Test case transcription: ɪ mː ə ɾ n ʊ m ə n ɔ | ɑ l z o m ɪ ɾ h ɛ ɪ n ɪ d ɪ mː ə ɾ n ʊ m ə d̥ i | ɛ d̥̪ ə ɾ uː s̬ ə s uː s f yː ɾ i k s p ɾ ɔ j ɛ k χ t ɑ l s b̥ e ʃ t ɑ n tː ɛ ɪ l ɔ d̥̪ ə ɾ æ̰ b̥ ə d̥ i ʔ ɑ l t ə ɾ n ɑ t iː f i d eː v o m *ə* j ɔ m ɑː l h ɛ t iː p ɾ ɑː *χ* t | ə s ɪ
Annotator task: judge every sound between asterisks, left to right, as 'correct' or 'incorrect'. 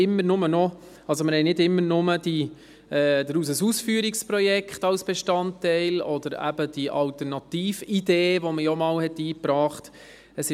correct, correct

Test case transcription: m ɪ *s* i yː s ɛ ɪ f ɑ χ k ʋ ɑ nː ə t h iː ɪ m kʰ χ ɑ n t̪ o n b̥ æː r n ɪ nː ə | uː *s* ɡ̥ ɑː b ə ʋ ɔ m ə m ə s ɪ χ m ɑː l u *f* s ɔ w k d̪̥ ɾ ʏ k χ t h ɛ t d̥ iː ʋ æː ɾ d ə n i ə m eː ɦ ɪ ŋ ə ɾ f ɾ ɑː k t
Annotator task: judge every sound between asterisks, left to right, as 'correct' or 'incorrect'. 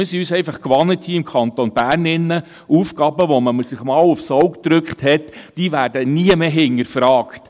correct, incorrect, correct

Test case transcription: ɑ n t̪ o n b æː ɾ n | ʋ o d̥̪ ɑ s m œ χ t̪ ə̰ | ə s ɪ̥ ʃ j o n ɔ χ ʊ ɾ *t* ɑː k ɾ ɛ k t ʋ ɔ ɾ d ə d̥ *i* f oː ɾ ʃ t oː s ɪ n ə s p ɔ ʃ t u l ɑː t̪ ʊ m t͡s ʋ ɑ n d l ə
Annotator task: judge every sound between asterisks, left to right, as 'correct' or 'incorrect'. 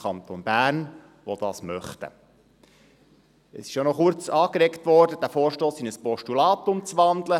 incorrect, incorrect

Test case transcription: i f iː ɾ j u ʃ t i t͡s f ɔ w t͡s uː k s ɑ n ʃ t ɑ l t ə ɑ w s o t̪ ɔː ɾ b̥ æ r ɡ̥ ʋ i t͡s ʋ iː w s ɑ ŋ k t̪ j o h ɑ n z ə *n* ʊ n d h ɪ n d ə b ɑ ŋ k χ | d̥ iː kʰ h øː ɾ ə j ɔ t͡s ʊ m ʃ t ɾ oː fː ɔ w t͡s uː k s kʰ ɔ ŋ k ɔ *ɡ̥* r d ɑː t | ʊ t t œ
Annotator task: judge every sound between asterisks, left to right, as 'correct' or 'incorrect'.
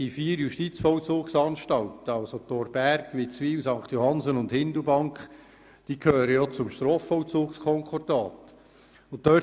correct, incorrect

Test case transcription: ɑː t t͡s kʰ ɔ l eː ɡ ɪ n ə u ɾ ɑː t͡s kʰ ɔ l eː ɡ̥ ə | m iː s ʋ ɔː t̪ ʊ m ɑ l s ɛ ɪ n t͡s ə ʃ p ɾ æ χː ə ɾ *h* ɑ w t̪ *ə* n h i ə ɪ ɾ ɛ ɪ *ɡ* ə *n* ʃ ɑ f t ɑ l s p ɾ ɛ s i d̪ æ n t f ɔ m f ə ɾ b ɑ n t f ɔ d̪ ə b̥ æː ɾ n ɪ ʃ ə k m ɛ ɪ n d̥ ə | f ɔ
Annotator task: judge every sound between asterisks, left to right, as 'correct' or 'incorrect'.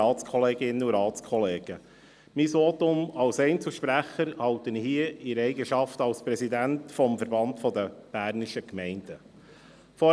correct, correct, correct, incorrect

